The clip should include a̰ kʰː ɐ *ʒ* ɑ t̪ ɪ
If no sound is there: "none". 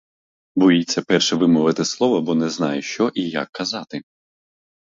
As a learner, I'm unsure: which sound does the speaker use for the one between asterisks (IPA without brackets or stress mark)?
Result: z